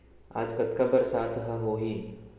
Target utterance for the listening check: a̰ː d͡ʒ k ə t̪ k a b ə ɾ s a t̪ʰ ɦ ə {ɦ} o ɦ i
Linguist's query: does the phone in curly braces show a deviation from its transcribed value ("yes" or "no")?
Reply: no